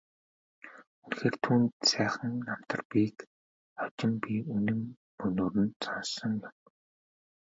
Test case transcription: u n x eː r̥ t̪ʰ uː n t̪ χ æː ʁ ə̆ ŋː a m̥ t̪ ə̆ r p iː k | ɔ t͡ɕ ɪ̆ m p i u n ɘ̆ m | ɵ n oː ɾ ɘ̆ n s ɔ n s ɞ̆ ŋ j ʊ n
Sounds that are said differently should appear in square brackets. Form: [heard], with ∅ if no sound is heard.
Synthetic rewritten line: u n x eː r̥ t̪ʰ uː n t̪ [s] æː [χ] ə̆ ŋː a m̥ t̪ ə̆ r p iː k | ɔ t͡ɕ ɪ̆ m p i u n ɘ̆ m | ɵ n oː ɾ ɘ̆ n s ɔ n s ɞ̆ ŋ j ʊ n